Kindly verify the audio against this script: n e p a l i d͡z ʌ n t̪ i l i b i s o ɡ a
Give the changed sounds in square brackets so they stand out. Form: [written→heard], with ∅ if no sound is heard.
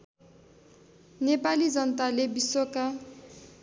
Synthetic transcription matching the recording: n e p a l i d͡z ʌ n t̪ [i→a] l [i→e] b i s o [ɡ→k] a